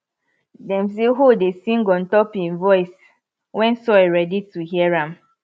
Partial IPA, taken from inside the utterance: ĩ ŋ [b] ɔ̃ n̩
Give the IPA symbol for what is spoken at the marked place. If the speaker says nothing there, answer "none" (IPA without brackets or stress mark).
ɡ